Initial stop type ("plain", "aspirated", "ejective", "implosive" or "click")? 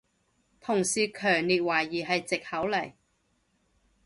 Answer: aspirated